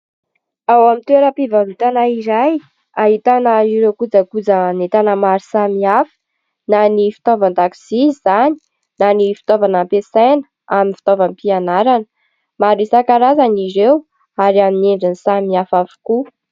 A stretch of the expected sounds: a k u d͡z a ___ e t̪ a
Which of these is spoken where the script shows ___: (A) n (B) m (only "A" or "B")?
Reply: A